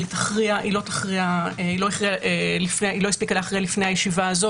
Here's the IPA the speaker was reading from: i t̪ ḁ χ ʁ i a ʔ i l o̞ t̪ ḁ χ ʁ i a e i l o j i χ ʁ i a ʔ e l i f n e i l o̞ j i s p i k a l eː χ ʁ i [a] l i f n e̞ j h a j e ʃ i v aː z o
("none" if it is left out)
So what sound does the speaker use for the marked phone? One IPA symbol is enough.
a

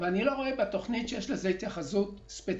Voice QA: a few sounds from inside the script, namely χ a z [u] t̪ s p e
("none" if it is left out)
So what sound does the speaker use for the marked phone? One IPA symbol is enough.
u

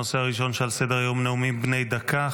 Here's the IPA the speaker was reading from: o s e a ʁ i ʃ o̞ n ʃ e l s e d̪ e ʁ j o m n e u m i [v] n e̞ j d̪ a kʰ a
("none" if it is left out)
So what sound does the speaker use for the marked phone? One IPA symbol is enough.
b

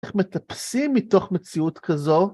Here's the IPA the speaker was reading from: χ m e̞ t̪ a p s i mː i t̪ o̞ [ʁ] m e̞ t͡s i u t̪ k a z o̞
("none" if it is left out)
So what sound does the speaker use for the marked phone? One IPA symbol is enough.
χ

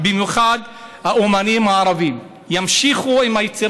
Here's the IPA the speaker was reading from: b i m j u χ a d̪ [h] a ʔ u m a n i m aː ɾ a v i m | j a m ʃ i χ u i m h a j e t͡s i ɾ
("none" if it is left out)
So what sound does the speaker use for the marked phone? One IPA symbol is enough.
h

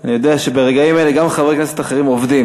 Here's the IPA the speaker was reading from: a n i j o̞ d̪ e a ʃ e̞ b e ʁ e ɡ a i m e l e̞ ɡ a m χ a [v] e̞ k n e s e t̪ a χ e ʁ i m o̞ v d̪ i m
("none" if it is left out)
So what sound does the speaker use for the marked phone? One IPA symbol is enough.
v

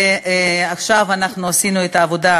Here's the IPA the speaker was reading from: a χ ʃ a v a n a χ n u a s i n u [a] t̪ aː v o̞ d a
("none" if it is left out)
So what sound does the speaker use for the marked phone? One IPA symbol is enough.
e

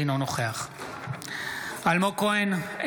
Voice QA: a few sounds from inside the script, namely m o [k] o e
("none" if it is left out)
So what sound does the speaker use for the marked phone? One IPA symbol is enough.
k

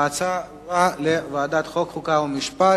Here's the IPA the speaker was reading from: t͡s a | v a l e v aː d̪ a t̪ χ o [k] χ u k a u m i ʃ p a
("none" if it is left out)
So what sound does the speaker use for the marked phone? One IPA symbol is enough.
k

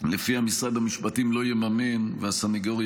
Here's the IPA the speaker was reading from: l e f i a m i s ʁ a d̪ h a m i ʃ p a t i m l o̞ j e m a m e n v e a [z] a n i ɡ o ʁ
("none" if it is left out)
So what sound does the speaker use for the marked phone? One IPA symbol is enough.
s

